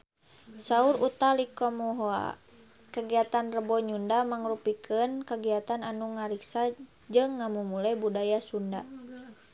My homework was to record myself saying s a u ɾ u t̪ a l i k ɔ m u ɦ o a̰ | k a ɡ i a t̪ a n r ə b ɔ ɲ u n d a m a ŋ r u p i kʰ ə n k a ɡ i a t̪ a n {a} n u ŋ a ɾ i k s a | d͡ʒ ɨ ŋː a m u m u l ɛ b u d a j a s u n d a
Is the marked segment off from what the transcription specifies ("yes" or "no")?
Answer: no